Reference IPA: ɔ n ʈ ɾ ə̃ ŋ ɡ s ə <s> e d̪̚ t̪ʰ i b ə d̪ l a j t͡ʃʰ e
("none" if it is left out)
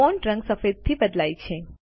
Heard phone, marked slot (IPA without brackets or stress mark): f